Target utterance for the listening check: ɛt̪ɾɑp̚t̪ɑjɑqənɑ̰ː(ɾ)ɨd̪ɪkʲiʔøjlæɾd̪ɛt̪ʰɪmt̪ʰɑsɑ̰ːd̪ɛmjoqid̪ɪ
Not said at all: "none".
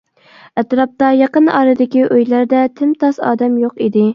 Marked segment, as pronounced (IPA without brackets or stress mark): ɾ